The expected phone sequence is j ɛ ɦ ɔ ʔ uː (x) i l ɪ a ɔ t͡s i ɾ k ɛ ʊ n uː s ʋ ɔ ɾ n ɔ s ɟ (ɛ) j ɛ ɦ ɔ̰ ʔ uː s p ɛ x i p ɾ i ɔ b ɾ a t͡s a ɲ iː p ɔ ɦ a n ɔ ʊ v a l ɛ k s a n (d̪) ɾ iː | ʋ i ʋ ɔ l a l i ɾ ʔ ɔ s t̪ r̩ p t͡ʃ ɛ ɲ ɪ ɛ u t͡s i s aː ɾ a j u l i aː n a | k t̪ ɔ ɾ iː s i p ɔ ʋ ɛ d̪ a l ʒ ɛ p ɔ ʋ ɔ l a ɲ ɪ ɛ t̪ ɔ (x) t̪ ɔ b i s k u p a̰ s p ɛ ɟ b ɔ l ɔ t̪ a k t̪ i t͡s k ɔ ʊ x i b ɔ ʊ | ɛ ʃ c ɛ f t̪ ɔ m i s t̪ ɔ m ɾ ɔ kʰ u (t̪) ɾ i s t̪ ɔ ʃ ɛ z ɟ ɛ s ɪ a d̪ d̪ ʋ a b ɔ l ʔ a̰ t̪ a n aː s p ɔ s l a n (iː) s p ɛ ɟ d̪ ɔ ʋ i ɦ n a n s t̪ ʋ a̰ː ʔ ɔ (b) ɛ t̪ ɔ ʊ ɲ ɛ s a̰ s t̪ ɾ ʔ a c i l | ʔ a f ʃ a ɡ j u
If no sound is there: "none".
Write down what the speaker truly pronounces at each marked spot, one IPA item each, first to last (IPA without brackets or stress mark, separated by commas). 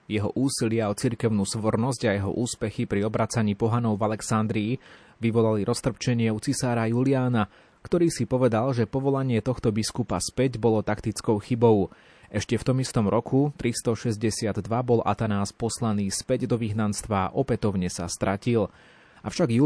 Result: s, a, d̪, x, t̪, iː, p